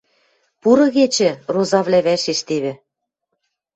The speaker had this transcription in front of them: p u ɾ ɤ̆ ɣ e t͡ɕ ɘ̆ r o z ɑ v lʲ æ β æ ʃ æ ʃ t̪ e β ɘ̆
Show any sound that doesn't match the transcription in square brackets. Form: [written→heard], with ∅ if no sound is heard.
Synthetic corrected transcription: p u ɾ ɤ̆ ɣ e t͡ɕ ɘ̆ r o z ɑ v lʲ æ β æ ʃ [æ→e] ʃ t̪ e β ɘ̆